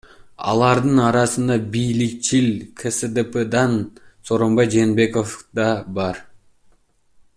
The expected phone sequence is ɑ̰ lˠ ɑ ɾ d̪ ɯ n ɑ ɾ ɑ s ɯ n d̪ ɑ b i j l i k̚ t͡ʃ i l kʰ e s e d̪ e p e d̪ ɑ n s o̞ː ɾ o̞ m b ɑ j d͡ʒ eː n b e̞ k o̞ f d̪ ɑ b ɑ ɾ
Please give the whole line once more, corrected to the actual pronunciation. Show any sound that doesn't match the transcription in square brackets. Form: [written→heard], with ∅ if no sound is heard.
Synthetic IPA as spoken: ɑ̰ lˠ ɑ ɾ d̪ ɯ n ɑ ɾ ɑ s ɯ n d̪ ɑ b i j l i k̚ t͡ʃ i l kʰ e s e d̪ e p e d̪ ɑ n s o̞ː ɾ o̞ m b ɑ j d͡ʒ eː n b e̞ k o̞ f d̪ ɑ b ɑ ɾ